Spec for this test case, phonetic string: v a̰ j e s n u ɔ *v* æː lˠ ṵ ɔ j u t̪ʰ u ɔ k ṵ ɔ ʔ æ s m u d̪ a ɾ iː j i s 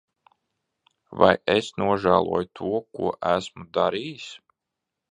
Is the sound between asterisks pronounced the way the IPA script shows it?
no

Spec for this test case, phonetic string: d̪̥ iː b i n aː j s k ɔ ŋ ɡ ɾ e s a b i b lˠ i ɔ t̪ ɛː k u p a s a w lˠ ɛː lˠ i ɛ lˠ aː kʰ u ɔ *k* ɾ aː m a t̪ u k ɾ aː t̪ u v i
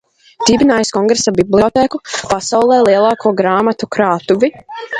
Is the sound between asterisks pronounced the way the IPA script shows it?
no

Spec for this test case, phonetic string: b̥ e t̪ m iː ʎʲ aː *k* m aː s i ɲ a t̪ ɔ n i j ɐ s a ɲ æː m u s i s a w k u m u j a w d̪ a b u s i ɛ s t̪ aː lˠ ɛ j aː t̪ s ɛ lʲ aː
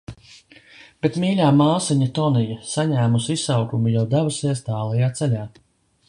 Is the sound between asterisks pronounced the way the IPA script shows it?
no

